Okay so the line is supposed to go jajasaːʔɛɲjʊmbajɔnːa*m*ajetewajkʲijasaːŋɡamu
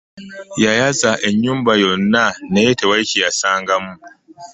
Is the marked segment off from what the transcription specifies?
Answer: yes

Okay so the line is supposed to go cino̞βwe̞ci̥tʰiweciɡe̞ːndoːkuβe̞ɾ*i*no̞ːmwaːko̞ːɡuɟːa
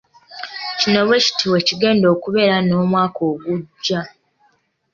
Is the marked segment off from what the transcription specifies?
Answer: yes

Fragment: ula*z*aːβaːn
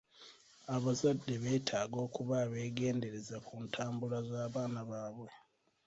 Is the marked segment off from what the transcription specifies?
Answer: no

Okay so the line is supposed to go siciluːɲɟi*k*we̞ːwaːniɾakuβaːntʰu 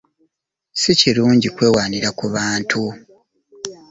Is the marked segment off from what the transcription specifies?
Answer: no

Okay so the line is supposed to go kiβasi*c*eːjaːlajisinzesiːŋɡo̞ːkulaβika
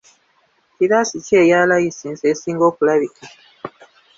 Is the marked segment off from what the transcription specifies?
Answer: no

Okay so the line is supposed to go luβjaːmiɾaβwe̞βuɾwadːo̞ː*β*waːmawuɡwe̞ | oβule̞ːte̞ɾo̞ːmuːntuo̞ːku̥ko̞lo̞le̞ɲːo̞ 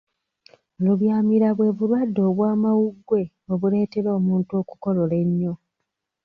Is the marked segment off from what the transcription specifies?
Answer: no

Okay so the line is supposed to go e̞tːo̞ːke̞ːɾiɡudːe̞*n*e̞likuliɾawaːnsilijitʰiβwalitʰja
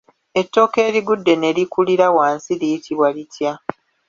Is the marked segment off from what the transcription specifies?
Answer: no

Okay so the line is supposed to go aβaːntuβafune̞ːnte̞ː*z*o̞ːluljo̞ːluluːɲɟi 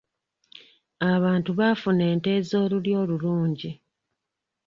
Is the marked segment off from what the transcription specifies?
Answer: no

